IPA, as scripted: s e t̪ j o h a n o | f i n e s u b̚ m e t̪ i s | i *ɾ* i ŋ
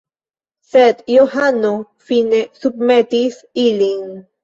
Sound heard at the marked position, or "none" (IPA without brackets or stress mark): l